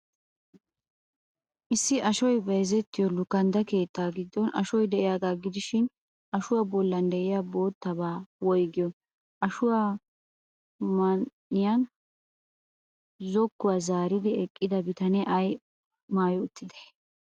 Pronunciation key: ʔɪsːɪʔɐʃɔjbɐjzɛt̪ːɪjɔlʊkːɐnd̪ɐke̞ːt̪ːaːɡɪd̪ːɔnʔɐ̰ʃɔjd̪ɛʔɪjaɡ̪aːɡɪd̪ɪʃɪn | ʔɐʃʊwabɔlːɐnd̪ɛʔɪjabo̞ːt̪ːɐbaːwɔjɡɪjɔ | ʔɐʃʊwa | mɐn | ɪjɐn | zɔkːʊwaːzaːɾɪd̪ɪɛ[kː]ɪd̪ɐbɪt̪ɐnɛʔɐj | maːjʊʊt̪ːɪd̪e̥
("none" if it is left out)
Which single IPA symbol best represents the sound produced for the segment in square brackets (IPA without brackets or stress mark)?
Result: kʼː